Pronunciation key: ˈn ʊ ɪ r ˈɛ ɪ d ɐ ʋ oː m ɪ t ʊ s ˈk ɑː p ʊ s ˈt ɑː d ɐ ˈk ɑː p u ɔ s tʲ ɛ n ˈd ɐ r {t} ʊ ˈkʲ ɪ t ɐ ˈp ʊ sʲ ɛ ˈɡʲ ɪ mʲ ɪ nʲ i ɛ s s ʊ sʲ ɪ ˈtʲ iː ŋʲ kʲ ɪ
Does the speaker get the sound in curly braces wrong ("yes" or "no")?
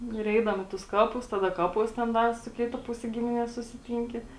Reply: yes